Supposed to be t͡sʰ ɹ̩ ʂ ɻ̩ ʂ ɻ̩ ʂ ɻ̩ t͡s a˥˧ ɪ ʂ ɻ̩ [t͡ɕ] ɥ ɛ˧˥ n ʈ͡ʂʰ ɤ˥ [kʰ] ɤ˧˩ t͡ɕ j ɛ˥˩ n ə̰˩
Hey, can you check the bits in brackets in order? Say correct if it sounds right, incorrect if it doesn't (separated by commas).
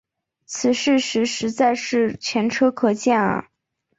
incorrect, correct